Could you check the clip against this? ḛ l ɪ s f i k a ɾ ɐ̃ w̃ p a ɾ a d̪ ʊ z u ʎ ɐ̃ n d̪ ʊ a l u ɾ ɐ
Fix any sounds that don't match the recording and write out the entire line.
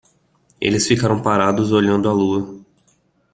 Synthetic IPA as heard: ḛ l ɪ s f i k a ɾ ɐ̃ w̃ p a ɾ a d̪ ʊ z o ʎ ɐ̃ n d̪ ʊ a l u ɐ